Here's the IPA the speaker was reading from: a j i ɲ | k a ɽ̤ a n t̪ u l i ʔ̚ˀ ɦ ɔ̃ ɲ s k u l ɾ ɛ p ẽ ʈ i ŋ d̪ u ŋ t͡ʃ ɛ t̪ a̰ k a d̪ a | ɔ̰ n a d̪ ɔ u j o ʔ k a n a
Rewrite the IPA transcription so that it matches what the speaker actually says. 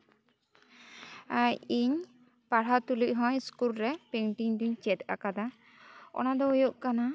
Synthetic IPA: a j i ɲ | p a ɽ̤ a t̪ u l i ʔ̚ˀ ɦ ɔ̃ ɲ s k u l ɾ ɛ p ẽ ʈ i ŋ d̪ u ɲ t͡ʃ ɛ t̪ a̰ k a d̪ a | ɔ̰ n a d̪ ɔ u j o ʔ k a n a